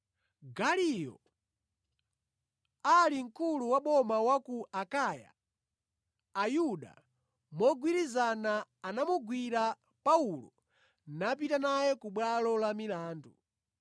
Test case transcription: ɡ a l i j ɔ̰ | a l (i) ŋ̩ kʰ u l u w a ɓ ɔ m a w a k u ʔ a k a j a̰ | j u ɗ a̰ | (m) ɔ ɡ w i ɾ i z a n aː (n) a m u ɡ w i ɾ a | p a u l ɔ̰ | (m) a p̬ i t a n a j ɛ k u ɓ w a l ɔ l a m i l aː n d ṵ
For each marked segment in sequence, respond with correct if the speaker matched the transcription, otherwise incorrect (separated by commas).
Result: correct, correct, correct, incorrect